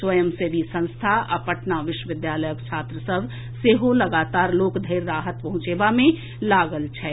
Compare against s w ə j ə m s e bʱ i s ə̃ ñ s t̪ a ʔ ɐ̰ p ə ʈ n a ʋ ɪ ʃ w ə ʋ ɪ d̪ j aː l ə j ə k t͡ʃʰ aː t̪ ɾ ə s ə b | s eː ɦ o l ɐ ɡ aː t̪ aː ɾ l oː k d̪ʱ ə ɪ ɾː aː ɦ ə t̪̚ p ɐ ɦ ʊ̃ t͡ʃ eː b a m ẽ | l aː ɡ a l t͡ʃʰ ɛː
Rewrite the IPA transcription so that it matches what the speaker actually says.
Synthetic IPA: s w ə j ə m s e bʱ i s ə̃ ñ s t̪ʰ a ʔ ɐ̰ p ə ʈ n a ʋ ɪ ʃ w ə ʋ ɪ d̪ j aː l ə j ə k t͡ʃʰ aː t̪ ɾ ə s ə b | s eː ɦ o l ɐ ɡ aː t̪ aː ɾ l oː k d̪ʱ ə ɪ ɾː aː ɦ ə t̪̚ p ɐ ɦ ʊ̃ t͡ʃ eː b a m ẽ | l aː ɡ ə l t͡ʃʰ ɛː